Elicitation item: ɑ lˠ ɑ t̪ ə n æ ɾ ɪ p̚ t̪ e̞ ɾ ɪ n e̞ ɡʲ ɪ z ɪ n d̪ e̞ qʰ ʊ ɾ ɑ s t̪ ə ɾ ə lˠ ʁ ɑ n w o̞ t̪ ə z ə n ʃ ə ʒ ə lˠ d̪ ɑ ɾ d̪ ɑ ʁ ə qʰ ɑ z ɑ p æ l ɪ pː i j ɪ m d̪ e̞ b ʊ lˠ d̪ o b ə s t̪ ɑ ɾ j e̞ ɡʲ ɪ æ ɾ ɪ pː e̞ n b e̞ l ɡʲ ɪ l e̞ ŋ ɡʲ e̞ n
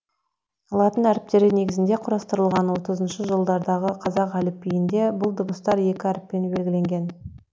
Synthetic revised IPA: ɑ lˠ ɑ t̪ ə n æ ɾ ɪ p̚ t̪ e̞ ɾ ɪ n e̞ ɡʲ ɪ z ɪ n d̪ e̞ qʰ ʊ ɾ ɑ s t̪ ə ɾ ə lˠ ʁ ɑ n w o̞ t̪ ə z ə n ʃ ə ʒ ə lˠ d̪ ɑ ɾ d̪ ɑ ʁ ə qʰ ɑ z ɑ q æ l ɪ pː i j ɪ n d̪ e̞ b ʊ lˠ d̪ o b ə s t̪ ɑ ɾ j e̞ kʲ ɪ æ ɾ ɪ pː e̞ n b e̞ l ɡʲ ɪ l e̞ ŋ ɡʲ e̞ n